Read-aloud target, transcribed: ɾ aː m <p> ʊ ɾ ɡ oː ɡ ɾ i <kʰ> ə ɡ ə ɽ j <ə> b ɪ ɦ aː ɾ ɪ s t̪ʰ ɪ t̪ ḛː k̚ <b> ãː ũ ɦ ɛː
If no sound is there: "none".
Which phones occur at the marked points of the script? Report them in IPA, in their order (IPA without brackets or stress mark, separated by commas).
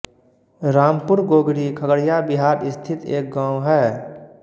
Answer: p, kʰ, a, ɡ